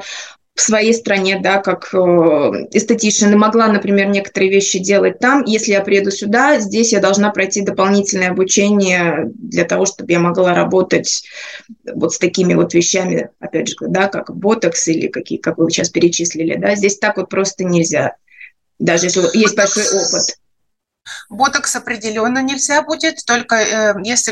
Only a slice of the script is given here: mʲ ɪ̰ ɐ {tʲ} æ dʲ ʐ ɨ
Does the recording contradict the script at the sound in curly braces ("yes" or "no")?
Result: yes